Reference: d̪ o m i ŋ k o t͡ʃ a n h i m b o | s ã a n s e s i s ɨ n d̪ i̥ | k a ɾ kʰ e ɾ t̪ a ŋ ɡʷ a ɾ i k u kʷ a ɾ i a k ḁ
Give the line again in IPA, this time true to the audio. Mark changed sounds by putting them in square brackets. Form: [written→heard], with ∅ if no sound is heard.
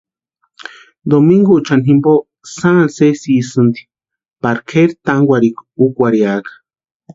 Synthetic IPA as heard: d̪ o m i ŋ [k→ɡ] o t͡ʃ a n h i m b o | s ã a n s e s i s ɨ n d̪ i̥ | [k→p] a ɾ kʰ e ɾ t̪ a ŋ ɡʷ a ɾ i k u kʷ a ɾ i a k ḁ